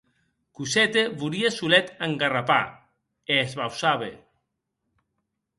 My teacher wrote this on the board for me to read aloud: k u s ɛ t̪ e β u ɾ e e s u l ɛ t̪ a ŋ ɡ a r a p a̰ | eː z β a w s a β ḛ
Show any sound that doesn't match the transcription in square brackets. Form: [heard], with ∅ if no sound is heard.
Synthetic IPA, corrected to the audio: k u s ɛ t̪ e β u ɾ [i] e s u l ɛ t̪ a ŋ ɡ a r a p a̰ | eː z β a w s a β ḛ